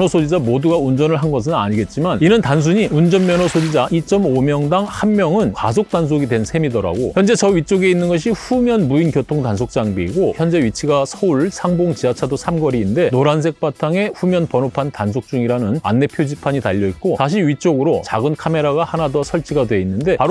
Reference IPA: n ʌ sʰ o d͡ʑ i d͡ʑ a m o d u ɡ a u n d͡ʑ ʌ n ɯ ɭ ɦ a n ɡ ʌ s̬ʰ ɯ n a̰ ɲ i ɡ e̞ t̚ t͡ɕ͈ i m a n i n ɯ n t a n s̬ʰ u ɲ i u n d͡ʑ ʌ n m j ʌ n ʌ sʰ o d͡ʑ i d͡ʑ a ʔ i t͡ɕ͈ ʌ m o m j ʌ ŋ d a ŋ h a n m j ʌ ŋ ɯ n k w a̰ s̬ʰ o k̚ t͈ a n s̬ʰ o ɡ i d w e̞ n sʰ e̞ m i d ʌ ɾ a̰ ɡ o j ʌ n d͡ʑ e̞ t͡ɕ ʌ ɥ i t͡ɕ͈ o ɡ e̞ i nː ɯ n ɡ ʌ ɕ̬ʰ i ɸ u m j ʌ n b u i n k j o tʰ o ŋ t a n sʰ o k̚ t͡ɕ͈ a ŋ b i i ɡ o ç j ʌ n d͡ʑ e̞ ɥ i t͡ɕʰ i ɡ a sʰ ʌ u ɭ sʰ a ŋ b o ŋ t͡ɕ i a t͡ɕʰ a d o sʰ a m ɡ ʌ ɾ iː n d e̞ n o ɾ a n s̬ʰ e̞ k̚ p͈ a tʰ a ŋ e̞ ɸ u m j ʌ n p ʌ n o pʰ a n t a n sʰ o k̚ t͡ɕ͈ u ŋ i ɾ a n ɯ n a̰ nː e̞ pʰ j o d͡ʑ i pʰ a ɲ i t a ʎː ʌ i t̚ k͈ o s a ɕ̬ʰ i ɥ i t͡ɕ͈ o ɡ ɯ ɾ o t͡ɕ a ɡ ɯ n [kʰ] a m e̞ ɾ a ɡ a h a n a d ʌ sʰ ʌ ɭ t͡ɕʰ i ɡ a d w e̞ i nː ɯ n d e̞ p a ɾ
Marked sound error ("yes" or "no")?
no